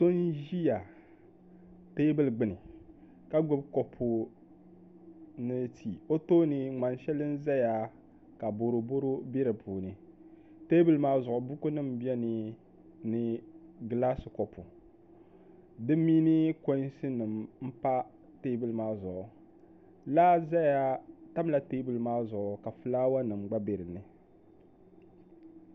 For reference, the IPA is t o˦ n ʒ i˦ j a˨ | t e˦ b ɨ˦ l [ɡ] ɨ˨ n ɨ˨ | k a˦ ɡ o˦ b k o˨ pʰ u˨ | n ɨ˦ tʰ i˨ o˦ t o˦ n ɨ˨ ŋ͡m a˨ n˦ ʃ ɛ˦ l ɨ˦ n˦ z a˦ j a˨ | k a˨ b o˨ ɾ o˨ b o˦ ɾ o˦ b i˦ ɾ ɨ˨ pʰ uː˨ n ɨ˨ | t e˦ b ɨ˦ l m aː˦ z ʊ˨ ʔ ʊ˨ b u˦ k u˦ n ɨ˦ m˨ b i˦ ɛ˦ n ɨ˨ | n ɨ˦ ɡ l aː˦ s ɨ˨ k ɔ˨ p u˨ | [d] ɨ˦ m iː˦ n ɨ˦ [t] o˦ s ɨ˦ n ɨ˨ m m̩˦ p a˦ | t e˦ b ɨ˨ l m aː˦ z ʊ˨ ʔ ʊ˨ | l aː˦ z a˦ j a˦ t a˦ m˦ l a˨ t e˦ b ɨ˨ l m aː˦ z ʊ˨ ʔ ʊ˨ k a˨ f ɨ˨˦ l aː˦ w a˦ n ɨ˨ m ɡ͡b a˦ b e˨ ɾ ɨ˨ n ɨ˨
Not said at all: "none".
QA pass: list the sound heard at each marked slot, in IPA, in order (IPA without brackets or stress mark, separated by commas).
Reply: ɡ͡b, d, k